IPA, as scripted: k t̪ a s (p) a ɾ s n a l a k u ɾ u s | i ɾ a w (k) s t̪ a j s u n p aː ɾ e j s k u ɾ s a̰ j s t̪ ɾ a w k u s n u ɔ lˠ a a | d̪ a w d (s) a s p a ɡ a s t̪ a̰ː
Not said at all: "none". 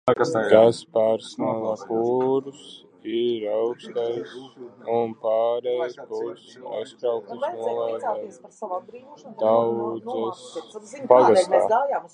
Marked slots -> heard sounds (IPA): p, k, z

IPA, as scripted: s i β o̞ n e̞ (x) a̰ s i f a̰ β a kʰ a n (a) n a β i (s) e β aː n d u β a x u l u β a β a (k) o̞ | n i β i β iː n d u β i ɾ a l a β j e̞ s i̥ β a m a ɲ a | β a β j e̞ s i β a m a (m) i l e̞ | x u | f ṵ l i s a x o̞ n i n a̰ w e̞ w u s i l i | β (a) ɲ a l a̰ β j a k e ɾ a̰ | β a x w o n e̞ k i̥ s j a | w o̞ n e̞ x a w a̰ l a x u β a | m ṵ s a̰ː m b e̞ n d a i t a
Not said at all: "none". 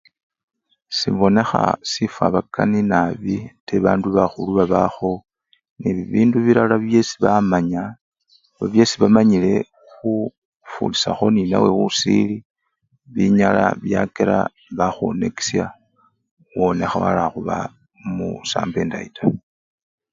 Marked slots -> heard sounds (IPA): x, i, t, x, ɲ, i

